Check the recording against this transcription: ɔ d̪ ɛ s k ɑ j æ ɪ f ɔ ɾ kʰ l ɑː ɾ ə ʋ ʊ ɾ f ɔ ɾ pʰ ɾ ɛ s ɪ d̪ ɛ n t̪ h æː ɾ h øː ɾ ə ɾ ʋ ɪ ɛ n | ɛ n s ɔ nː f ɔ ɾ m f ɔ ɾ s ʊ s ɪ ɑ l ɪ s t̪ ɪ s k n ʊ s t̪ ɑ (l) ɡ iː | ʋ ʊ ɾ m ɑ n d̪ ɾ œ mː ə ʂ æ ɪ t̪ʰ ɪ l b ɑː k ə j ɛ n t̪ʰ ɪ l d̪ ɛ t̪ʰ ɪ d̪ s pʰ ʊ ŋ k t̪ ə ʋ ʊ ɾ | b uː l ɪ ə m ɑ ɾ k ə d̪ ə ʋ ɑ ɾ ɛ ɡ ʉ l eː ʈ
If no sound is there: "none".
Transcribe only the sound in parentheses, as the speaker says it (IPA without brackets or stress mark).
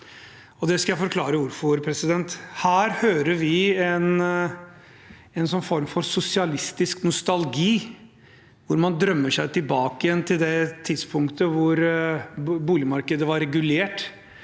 l